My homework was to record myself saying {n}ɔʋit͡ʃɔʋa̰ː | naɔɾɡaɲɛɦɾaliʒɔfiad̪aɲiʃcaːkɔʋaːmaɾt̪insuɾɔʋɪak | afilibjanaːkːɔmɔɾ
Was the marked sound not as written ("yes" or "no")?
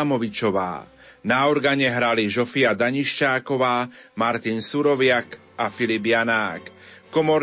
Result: yes